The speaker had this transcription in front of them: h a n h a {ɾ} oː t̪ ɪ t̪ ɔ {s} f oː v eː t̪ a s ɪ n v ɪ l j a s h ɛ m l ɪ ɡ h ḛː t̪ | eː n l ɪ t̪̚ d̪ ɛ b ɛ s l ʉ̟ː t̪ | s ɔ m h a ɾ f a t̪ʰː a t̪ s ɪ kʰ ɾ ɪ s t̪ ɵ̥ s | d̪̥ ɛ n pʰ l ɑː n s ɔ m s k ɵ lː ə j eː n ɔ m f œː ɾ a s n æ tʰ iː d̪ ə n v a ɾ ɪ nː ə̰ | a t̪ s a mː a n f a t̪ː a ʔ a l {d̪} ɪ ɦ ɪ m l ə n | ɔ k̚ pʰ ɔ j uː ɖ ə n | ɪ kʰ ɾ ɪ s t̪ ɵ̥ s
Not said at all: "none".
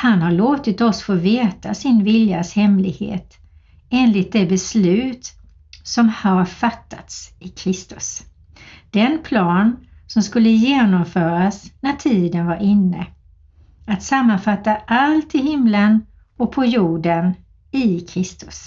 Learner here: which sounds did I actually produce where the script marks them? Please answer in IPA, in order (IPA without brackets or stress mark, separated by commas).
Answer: ɭ, s, t̪